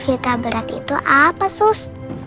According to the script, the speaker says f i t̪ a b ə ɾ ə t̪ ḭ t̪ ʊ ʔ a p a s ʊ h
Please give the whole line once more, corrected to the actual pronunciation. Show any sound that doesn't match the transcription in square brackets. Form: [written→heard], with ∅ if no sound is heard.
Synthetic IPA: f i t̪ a b ə ɾ [ə→a] t̪ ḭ t̪ [ʊ→u] ʔ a p a s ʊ [h→s]